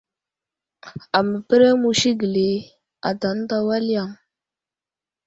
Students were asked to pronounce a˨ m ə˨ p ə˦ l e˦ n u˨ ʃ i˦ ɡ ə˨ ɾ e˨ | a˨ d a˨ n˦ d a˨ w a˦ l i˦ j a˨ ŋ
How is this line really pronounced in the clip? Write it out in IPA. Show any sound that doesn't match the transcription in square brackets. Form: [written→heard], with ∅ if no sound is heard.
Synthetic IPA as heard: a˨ m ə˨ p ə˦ [l→ɾ] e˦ [n→m] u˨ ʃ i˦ ɡ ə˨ [ɾ→l] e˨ | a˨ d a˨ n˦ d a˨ w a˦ l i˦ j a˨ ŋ

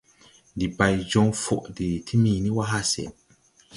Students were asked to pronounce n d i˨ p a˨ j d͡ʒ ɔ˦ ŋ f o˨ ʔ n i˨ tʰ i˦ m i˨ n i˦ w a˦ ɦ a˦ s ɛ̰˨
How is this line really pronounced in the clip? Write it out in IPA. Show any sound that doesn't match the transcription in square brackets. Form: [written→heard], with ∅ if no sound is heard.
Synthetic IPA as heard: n d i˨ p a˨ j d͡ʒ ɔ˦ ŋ f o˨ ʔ [n→d] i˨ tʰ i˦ m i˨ n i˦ w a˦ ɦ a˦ s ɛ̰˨

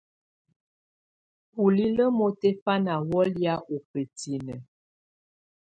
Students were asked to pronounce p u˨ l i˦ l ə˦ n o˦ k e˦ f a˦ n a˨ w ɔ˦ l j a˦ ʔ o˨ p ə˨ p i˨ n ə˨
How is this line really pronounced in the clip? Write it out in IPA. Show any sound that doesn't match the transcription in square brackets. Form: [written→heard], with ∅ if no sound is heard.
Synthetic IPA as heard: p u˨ l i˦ l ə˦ [n→m] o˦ [k→t] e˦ f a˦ n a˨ w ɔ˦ l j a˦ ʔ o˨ p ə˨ [p→t] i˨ n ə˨

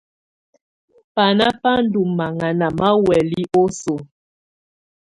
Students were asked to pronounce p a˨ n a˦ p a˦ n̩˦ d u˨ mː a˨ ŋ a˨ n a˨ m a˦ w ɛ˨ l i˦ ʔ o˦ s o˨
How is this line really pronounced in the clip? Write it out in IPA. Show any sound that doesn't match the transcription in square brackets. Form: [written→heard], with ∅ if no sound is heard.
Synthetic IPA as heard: p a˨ n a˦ p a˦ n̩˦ d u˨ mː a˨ ŋ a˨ n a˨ m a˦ w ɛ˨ l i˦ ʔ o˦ s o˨

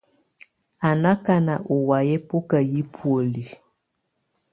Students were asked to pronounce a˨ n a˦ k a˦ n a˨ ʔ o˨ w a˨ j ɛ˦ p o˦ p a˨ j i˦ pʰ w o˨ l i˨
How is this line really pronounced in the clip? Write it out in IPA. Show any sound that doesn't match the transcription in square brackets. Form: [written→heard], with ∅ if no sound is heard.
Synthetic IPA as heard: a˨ n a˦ k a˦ n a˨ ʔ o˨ w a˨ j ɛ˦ p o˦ [p→k] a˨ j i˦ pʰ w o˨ l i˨

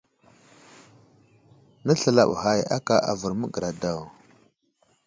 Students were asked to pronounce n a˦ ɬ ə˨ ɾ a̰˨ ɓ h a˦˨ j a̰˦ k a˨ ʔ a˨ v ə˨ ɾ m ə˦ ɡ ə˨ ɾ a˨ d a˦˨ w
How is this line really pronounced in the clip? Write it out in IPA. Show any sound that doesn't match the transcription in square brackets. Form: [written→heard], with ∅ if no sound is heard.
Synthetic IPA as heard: n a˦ ɬ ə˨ [ɾ→l] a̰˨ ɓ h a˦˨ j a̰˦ k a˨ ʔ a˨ v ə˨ ɾ m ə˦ ɡ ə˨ ɾ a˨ d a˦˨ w

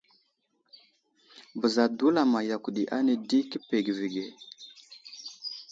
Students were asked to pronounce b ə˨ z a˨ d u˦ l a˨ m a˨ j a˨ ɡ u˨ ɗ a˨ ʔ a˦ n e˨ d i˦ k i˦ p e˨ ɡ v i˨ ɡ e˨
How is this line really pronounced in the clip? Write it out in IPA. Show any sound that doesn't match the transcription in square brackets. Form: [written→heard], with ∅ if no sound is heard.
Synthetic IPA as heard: b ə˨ z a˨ d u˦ l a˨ m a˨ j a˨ [ɡ→k] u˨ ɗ [a˨→i˨] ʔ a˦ n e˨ d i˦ k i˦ p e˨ ɡ v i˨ ɡ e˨

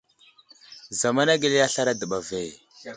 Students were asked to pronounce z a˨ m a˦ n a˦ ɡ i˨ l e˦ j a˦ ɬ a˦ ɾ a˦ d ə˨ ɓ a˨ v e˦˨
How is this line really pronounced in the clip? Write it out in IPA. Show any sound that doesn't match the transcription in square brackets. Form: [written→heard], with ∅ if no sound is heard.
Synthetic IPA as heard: z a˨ m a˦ n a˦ ɡ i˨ l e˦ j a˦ ɬ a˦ ɾ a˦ d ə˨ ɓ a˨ v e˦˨

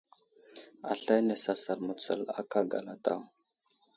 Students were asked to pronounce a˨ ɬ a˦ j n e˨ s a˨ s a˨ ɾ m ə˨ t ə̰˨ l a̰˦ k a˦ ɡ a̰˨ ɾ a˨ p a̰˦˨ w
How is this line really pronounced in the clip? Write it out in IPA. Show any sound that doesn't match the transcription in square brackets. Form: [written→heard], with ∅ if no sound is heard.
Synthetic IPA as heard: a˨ ɬ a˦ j n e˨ s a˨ s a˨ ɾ m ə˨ [t→t͡s] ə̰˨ l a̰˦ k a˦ ɡ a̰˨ [ɾ→l] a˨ [p→t] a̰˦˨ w

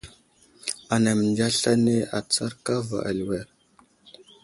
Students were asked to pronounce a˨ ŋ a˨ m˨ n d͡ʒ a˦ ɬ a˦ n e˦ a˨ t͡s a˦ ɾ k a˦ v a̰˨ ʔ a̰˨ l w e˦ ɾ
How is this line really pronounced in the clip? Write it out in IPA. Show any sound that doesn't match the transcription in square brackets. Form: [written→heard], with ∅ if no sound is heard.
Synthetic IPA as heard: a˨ [ŋ→n] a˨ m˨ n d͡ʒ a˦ ɬ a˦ n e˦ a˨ t͡s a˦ ɾ k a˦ v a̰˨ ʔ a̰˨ l w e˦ ɾ

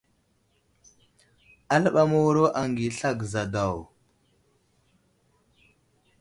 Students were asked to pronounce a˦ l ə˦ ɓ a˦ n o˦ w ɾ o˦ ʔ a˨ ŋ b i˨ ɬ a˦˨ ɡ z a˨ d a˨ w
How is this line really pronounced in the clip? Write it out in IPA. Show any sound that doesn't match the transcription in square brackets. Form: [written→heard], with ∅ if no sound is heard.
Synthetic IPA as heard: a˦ l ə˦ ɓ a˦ [n→m] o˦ w ɾ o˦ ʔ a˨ ŋ [b→ɡ] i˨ ɬ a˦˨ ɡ z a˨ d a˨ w

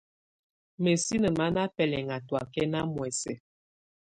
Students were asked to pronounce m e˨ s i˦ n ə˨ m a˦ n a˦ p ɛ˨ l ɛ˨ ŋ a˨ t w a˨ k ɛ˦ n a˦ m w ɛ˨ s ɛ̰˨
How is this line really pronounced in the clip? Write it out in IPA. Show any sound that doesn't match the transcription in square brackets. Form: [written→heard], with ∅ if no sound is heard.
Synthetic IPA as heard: m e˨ s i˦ n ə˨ m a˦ n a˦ p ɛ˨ l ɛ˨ ŋ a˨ t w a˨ k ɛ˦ n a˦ m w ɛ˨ s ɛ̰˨

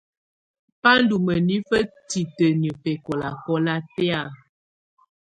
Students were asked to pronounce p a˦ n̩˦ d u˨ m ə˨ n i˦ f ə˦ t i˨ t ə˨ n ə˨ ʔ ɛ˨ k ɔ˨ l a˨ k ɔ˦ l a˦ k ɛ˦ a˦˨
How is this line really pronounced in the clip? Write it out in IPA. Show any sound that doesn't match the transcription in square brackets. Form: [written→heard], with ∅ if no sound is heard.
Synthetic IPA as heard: p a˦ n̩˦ d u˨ m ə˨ n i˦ f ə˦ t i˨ t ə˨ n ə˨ [ʔ→p] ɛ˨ k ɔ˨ l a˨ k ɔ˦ l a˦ [k→t] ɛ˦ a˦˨

